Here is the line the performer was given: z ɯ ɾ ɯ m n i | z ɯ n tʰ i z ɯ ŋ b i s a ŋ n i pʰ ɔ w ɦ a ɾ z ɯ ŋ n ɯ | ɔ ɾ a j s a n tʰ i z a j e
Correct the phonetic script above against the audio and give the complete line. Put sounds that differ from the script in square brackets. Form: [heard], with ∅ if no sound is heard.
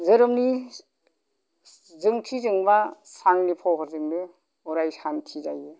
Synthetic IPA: z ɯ ɾ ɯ m n i | z ɯ [ŋ] tʰ i z ɯ ŋ b [a] s a ŋ n i pʰ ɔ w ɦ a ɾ z ɯ ŋ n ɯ | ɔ ɾ a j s a n tʰ i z a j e